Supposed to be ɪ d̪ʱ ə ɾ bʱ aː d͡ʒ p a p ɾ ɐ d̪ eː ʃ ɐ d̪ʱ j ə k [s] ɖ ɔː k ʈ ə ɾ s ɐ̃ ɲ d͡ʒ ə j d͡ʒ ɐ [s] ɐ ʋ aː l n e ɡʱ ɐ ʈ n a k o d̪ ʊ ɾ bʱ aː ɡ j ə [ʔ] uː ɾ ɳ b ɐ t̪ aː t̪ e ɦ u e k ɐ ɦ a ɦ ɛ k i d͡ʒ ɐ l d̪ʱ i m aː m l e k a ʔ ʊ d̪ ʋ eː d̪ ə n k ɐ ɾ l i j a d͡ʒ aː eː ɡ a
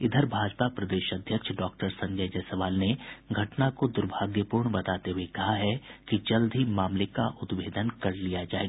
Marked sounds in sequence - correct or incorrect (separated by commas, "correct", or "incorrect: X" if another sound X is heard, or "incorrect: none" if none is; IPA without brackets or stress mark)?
incorrect: ʃ, correct, incorrect: p